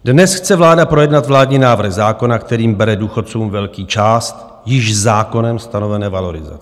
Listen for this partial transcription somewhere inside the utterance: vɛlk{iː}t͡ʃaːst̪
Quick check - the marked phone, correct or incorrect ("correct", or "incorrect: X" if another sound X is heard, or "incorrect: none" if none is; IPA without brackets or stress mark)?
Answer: correct